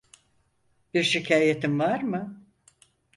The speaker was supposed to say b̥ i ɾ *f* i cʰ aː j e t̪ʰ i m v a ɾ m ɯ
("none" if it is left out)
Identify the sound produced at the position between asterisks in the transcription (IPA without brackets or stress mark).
ʃ